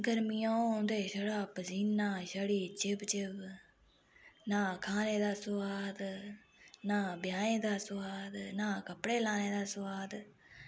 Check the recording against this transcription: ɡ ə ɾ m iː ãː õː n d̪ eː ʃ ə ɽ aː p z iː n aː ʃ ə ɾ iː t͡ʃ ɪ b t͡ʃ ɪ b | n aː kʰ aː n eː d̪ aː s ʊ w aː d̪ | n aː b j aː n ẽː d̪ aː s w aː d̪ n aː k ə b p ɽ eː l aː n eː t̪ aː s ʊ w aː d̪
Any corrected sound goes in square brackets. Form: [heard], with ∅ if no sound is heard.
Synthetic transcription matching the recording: ɡ ə ɾ m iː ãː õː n d̪ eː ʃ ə ɽ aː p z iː n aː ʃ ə [ɽ] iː t͡ʃ ɪ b t͡ʃ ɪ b | n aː kʰ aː n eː d̪ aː s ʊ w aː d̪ | n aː b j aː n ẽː d̪ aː s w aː d̪ n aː k ə [∅] p ɽ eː l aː n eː [d̪] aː s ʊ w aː d̪

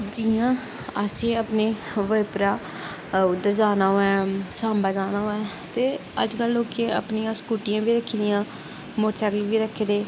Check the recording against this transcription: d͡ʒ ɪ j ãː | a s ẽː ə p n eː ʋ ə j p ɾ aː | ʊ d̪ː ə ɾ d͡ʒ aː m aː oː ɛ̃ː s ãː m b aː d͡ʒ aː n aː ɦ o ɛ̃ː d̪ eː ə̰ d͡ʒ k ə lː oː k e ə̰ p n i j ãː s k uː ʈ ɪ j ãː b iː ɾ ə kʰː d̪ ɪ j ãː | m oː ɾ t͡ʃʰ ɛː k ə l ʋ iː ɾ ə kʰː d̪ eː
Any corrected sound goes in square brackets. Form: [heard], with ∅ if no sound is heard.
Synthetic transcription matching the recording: d͡ʒ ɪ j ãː | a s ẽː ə p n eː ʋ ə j p ɾ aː | ʊ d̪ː ə ɾ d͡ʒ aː [n] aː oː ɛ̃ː s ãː m b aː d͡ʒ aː n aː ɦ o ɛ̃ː [t̪] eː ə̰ d͡ʒ k ə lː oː k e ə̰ p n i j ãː s k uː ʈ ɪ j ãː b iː ɾ ə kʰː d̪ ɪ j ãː | m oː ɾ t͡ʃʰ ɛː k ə l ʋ iː ɾ ə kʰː d̪ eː

